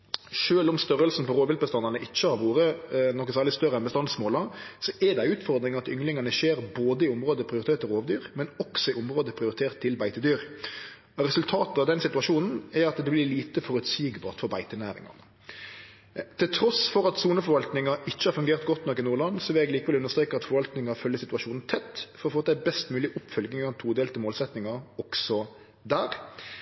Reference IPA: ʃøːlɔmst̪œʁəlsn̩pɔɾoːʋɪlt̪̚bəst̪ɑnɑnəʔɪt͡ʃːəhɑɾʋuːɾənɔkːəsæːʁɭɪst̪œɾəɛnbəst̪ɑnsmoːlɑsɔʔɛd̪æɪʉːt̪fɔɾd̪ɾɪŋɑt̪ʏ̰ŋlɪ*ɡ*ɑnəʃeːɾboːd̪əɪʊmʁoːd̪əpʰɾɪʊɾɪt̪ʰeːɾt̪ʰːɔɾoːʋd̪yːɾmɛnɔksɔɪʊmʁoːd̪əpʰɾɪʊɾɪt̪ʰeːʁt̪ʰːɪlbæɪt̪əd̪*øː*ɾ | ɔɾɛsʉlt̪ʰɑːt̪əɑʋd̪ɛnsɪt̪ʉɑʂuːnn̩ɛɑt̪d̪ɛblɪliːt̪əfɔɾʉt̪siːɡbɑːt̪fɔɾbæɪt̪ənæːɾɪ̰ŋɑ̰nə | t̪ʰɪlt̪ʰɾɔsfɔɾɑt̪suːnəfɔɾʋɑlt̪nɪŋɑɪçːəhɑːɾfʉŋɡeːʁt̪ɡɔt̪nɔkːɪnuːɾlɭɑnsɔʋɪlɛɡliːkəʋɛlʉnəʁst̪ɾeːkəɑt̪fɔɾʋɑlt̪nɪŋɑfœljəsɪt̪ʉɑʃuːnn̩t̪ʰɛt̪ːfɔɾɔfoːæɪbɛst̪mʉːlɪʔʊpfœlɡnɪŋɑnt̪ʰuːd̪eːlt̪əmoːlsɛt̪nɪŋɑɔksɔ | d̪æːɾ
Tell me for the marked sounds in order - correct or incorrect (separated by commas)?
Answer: incorrect, incorrect